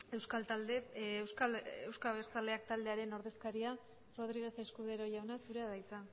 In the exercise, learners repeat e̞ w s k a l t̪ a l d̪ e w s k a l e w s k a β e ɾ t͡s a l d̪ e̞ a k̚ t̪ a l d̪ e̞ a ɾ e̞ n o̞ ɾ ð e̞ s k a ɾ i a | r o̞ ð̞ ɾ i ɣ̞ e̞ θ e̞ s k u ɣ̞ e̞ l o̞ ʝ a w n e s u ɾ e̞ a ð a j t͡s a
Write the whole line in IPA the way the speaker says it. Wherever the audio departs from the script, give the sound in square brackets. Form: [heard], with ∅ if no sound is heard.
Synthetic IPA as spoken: e̞ w s k a l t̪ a l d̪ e w s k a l e w s k a β e ɾ t͡s a l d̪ e̞ a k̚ t̪ a l d̪ e̞ a ɾ e̞ n o̞ ɾ ð e̞ s k a ɾ i a | r o̞ ð̞ ɾ i ɣ̞ e̞ θ e̞ s k u [ð̞] e̞ [ɾ] o̞ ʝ a w n [a] s u ɾ e̞ a ð a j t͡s a